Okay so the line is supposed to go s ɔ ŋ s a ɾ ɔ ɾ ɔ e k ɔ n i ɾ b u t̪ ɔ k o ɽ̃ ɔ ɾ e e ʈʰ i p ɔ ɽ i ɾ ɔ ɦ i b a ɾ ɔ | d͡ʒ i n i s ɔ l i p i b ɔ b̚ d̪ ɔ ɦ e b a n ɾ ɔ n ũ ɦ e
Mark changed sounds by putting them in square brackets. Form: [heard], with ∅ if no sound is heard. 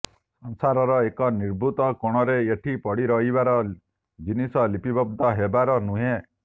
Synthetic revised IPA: s ɔ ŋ s a ɾ ɔ ɾ ɔ e k ɔ n i ɾ b u t̪ ɔ k o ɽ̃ ɔ ɾ e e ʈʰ i p ɔ ɽ i ɾ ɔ ɦ i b a ɾ ɔ | d͡ʒ i n i s ɔ l i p i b ɔ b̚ d̪ ɔ ɦ e b a [∅] ɾ ɔ n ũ ɦ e